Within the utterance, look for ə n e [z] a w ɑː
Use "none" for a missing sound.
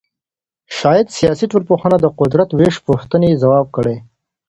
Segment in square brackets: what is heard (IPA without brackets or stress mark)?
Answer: z